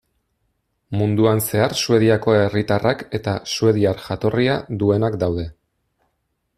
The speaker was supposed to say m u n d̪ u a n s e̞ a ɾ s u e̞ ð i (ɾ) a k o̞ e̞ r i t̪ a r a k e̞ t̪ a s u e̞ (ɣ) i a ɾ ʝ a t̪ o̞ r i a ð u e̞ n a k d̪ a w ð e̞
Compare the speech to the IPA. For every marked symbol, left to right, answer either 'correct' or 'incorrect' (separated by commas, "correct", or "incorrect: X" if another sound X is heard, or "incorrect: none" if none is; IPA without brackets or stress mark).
incorrect: none, incorrect: ð